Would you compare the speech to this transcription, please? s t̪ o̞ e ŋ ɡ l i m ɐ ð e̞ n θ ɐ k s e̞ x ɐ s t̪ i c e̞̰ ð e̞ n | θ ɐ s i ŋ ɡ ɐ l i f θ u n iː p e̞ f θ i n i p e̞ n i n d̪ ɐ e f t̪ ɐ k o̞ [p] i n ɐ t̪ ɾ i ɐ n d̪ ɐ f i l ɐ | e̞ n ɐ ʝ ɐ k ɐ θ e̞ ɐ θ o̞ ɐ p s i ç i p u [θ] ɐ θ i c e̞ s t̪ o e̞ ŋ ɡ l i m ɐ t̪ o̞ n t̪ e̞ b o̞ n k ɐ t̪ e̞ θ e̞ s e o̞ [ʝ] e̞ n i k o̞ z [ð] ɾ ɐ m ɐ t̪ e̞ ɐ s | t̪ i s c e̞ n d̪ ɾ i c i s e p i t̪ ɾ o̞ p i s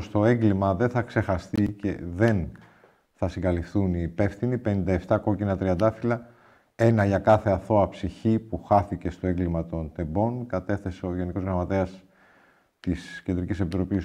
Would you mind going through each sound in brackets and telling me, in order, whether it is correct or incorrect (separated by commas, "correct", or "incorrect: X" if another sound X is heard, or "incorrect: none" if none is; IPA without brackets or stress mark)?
incorrect: c, incorrect: x, correct, incorrect: ɣ